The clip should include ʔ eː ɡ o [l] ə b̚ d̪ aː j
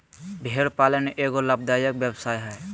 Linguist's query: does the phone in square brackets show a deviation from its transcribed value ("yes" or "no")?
no